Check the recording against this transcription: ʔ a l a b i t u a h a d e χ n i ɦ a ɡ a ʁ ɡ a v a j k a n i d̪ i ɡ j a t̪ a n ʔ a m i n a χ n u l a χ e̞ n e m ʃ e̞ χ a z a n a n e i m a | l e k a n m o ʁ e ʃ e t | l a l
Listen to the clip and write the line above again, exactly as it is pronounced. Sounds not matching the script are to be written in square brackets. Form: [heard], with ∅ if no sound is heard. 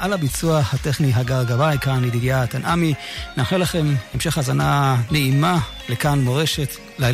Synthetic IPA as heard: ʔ a l a b i [t͡s] u a h a [t] e χ n i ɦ a ɡ a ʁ ɡ a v a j k a n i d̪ i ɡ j a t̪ a n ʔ a m i n a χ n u l a χ e̞ [m] e m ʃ e̞ χ a z a n a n e i m a | l e k a n m o ʁ e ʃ e t | l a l